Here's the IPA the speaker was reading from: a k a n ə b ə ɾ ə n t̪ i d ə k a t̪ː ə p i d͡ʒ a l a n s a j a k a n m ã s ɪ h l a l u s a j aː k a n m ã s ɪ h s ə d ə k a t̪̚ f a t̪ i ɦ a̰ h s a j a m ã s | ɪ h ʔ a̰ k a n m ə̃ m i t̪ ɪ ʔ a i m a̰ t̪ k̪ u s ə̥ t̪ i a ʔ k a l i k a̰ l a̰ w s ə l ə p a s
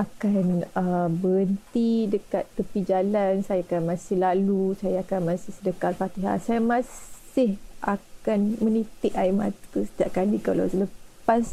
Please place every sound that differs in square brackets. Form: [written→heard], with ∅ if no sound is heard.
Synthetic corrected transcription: a k a n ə b ə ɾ ə n t̪ i d ə k a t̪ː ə p i d͡ʒ a l a n s a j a k a n m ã s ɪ h l a l u s a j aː k a n m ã s ɪ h s ə d ə k a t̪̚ f a t̪ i ɦ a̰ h s a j a m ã s | ɪ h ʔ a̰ k a n m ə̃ [m→n] i t̪ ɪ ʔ a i m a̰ t̪ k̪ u s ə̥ t̪ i a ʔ k a l i k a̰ l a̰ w s ə l ə p a s